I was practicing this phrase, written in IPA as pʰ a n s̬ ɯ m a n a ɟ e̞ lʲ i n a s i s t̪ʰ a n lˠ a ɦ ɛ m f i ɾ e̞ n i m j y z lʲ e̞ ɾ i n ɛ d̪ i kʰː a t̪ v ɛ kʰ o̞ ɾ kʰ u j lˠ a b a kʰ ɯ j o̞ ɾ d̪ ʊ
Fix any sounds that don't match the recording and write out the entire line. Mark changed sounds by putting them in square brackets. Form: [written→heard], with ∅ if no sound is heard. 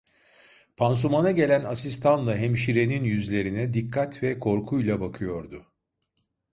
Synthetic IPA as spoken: pʰ a n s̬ [ɯ→u] m a n a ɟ e̞ lʲ [i→æ] n a s i s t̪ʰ a n lˠ a ɦ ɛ m [f→ʃ] i ɾ e̞ n i [m→n] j y z lʲ e̞ ɾ i n ɛ d̪ i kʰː a t̪ v ɛ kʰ o̞ ɾ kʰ u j lˠ a b a kʰ ɯ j o̞ ɾ d̪ ʊ